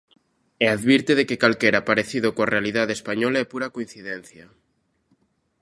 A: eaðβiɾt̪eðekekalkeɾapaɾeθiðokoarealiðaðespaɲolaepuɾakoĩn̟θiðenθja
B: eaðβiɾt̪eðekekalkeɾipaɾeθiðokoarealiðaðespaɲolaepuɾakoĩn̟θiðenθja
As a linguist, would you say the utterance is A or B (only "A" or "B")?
A